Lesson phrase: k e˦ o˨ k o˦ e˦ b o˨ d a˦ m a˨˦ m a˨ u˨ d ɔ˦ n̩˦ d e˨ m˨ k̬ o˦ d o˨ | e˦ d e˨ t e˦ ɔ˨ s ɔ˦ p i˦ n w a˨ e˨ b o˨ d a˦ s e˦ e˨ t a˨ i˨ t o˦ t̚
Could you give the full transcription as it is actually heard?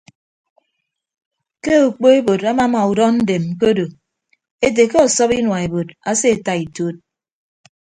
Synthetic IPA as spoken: k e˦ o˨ k͡p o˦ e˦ b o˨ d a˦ m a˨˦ m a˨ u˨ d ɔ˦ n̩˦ d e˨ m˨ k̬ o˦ d o˨ | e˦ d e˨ k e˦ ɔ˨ s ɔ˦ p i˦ n w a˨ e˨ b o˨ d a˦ s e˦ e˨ t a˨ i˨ t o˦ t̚